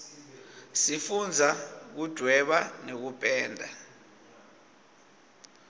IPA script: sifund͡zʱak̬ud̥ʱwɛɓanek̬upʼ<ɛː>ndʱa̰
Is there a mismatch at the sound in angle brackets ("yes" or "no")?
no